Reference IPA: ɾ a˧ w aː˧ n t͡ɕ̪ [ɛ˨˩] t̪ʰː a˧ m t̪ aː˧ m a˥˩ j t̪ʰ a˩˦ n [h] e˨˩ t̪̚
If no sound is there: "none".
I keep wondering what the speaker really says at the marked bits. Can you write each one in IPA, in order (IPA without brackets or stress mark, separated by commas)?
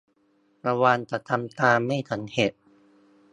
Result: a˨˩, h